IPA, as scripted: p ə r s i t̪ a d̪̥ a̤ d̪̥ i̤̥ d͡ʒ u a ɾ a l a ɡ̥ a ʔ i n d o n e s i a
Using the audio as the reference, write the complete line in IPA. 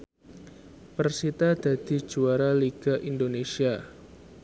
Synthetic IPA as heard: p ə r s i t̪ a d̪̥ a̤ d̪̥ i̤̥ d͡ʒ u a ɾ a l i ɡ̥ a ʔ i n d o n e s i a